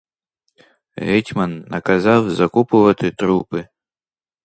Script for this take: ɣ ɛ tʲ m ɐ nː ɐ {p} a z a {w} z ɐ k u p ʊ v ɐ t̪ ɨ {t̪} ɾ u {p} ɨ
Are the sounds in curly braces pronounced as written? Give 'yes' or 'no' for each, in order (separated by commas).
no, yes, yes, yes